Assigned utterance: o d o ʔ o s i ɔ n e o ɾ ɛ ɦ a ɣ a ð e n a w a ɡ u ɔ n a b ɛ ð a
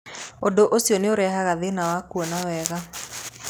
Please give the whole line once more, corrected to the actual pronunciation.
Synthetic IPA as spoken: o d o ʔ o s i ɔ n e o ɾ ɛ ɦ a ɣ a ð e n a w a k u ɔ n a w ɛ ɣ a